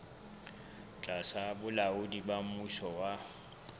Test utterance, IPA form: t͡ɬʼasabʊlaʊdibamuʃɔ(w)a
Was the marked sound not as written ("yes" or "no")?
no